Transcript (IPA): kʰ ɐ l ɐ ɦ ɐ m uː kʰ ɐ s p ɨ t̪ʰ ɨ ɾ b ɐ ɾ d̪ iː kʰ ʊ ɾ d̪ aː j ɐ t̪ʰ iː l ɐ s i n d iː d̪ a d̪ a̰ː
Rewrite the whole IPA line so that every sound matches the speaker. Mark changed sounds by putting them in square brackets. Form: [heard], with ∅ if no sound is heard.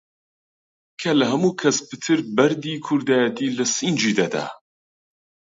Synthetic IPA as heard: kʰ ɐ l ɐ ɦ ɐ m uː kʰ ɐ s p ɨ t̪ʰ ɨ ɾ b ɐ ɾ d̪ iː kʰ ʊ ɾ d̪ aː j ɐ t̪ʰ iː l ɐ s i n [d͡ʒ] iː d̪ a d̪ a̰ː